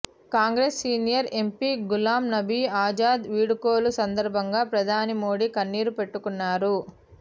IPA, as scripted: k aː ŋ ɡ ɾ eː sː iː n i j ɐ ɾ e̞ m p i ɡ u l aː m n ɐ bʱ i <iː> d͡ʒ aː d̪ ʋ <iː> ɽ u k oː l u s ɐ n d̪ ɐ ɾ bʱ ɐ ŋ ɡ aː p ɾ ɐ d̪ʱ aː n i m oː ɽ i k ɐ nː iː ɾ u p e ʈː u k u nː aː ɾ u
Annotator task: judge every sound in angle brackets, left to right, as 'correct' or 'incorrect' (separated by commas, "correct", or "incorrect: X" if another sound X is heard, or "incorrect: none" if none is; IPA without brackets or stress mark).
incorrect: aː, correct